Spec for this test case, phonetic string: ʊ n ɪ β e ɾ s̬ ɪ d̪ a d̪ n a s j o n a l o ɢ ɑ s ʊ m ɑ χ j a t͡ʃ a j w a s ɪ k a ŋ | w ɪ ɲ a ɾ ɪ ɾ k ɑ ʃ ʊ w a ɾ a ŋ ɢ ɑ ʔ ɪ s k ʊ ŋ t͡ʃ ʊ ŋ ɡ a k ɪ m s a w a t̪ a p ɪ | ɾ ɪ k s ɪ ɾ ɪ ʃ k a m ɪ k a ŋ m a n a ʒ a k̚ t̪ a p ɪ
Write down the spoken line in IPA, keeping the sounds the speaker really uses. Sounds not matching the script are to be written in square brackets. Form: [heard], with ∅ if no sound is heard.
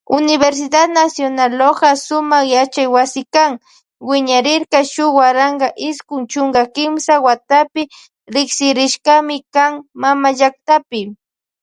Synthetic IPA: ʊ n ɪ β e ɾ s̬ ɪ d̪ a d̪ n a s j o n a l o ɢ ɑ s ʊ m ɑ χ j a t͡ʃ a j w a s ɪ k a ŋ | w ɪ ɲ a ɾ ɪ ɾ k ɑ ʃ ʊ w a ɾ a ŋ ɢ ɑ ʔ ɪ s k ʊ ŋ t͡ʃ ʊ ŋ ɡ a k ɪ m s a w a t̪ a p ɪ | ɾ ɪ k s ɪ ɾ ɪ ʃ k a m ɪ k a ŋ m a [m] a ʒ a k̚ t̪ a p ɪ